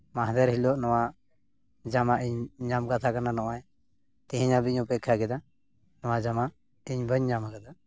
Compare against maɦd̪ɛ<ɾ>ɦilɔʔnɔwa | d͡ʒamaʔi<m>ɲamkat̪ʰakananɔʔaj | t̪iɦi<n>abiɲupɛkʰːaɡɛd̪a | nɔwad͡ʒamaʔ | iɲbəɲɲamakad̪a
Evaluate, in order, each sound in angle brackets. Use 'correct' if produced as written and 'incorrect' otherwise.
correct, incorrect: ɲ, incorrect: ɲ

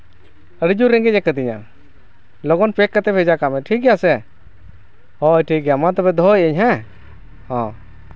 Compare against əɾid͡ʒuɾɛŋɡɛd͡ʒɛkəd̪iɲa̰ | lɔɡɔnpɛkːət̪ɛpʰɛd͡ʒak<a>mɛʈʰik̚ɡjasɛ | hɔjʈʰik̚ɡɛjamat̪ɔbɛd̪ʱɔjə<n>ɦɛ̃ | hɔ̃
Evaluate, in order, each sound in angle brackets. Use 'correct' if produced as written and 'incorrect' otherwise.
correct, incorrect: ɲ

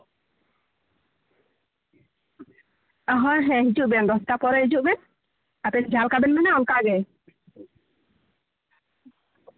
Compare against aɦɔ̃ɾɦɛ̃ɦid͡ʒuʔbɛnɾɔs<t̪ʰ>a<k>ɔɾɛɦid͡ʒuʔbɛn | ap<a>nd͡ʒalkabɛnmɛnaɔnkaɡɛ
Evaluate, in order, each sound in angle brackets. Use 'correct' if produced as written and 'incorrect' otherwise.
incorrect: t̪, incorrect: p, incorrect: ɛ

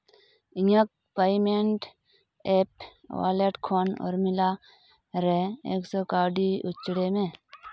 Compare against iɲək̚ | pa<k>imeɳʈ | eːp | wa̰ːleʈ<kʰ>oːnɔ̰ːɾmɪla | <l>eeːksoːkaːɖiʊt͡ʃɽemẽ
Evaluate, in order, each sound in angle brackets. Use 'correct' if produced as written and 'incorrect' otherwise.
incorrect: none, correct, incorrect: ɾ

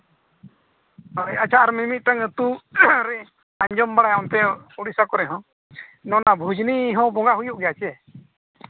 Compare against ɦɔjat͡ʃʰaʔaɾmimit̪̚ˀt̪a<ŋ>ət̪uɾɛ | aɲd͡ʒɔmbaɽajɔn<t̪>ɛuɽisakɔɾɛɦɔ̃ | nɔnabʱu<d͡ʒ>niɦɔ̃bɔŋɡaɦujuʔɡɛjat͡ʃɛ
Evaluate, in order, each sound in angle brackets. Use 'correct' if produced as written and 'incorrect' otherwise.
correct, correct, correct

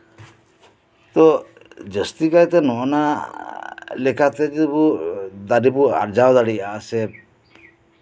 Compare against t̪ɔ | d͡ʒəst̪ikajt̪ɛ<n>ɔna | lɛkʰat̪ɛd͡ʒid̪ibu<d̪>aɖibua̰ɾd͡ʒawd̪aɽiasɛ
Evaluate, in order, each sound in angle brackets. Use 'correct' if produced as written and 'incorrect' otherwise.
correct, correct

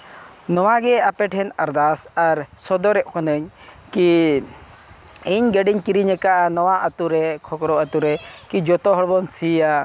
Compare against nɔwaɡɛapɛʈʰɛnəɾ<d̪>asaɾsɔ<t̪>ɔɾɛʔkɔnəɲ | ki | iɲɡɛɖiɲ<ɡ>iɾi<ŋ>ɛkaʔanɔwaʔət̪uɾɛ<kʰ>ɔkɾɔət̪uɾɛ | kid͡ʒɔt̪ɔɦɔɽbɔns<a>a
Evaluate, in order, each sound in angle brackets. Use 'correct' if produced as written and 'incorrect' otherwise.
correct, incorrect: d̪, incorrect: k, incorrect: ɲ, correct, incorrect: i

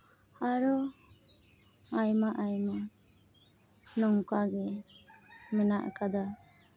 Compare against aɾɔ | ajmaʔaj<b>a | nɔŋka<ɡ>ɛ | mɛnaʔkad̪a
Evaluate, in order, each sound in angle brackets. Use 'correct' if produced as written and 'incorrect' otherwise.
incorrect: m, correct

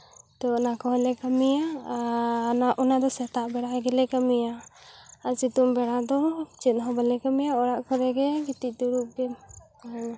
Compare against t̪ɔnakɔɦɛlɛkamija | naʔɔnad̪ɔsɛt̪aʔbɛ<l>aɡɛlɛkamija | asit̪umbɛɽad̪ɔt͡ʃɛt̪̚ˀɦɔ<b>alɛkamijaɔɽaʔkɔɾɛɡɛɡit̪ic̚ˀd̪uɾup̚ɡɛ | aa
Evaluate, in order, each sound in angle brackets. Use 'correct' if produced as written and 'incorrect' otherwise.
incorrect: ɽ, correct

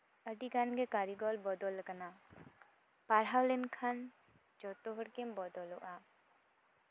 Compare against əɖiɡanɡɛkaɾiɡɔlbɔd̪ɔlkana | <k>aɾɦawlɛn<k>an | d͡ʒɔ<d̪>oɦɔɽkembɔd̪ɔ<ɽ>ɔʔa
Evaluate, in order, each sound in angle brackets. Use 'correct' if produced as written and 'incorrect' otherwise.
incorrect: p, incorrect: kʰ, incorrect: t̪, incorrect: l

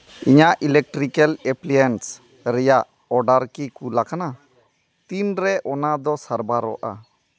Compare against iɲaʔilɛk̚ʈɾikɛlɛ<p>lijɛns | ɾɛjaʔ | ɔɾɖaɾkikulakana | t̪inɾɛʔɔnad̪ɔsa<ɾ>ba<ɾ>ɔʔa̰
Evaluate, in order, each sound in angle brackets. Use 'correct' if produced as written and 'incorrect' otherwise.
correct, correct, correct

